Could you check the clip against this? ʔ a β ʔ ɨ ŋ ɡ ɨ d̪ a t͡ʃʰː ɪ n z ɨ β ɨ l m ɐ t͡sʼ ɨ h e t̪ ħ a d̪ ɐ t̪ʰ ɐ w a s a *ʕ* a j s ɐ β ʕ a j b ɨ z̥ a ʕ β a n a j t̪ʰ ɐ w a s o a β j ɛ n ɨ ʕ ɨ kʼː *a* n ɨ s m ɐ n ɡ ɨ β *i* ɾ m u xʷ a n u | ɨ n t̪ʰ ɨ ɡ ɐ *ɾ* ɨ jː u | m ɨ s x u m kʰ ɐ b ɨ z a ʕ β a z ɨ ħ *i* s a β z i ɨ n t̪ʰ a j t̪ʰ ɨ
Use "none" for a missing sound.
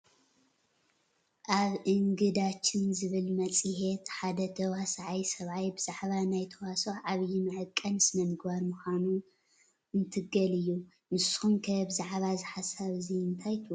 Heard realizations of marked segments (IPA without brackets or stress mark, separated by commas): ʕ, ɐ, a, l, a